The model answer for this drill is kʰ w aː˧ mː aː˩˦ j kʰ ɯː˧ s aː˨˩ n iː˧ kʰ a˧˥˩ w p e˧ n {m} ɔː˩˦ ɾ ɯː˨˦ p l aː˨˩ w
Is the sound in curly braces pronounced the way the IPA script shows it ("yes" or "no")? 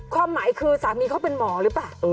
yes